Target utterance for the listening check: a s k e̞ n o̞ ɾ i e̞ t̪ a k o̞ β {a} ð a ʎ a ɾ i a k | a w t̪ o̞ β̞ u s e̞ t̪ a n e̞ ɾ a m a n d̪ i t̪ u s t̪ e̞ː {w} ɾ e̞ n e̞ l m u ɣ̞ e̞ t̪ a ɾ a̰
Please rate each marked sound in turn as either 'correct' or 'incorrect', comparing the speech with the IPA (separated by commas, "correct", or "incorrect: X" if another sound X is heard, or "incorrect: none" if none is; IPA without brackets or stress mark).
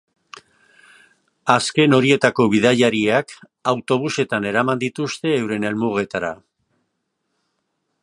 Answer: incorrect: i, correct